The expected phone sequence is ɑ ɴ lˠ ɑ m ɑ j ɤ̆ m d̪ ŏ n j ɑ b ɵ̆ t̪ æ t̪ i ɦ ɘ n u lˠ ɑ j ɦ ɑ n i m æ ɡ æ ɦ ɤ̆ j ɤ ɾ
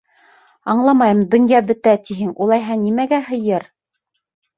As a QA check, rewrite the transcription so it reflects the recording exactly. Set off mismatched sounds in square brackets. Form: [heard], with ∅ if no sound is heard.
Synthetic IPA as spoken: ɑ ɴ lˠ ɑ m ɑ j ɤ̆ m d̪ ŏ n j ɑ b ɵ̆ t̪ æ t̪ i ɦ ɘ [ŋ] u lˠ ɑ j ɦ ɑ n i m æ ɡ æ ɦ ɤ̆ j ɤ ɾ